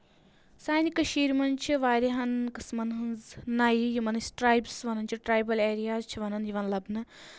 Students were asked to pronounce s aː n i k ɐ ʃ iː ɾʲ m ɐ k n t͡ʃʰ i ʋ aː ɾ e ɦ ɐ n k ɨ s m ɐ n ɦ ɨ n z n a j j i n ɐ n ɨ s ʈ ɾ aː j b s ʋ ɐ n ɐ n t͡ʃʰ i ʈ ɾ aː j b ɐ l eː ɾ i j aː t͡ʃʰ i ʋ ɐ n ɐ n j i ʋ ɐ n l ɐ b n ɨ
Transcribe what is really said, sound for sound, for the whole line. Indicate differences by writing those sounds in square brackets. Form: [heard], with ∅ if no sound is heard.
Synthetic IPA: s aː n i k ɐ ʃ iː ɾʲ m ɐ [∅] n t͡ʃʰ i ʋ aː ɾ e ɦ ɐ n k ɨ s m ɐ n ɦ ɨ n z n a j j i [m] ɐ n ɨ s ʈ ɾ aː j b s ʋ ɐ n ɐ n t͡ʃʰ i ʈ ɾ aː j b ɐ l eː ɾ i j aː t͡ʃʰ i ʋ ɐ n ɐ n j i ʋ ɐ n l ɐ b n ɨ